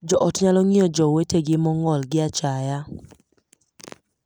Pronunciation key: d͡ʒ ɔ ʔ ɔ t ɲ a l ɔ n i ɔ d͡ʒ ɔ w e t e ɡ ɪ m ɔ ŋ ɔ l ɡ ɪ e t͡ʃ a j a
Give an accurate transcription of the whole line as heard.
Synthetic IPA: d͡ʒ ɔ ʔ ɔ t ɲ a l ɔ ŋ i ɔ d͡ʒ ɔ w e t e ɡ ɪ m ɔ ŋ ɔ l ɡ ɪ a t͡ʃ a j a